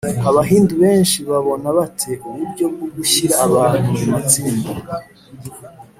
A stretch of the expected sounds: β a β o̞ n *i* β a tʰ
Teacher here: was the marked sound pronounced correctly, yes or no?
no